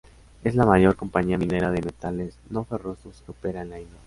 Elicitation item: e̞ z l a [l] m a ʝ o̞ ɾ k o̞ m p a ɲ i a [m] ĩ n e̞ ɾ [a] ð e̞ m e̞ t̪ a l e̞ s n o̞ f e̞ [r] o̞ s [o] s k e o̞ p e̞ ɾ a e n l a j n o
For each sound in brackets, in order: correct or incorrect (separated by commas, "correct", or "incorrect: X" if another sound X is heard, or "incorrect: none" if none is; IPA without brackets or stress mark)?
incorrect: none, correct, correct, correct, correct